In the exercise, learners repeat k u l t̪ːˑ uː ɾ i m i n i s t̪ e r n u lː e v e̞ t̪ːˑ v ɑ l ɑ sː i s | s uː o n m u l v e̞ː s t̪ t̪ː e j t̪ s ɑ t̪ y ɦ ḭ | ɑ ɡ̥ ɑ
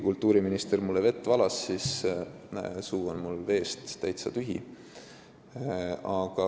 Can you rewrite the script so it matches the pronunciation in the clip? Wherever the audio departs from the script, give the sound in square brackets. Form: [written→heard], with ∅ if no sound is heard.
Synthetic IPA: k u l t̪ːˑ uː ɾ i m i n i s t̪ e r [n→m] u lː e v e̞ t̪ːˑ v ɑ l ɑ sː i s | s uː o n m u l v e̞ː s t̪ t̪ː [e→æ] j t̪ s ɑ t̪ y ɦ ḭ | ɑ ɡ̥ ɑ